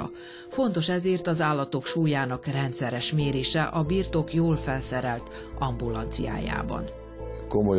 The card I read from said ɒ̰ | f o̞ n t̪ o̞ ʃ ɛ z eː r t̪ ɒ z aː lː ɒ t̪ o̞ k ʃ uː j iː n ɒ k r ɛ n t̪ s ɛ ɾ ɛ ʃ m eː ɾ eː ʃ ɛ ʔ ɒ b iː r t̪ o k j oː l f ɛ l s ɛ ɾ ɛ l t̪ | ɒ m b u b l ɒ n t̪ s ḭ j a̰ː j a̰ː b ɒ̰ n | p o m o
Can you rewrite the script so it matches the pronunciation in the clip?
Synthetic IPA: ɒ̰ | f o̞ n t̪ o̞ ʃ ɛ z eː r t̪ ɒ z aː lː ɒ t̪ o̞ k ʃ uː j aː n ɒ k r ɛ n t̪ s ɛ ɾ ɛ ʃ m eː ɾ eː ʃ ɛ ʔ ɒ b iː r t̪ o k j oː l f ɛ l s ɛ ɾ ɛ l t̪ | ɒ m b u l ɒ n t̪ s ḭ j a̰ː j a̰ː b ɒ̰ n | k o m o